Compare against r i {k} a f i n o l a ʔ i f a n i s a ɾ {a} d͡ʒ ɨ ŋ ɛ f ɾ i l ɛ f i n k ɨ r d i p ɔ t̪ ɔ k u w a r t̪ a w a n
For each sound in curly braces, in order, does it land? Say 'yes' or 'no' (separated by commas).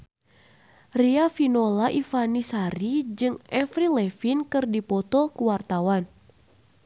no, no